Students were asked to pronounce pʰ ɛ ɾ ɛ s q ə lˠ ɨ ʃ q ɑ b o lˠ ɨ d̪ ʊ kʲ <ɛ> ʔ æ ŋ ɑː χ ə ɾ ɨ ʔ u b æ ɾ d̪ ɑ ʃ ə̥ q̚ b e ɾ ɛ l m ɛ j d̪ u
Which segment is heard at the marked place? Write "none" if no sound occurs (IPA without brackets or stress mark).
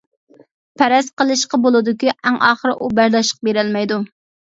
i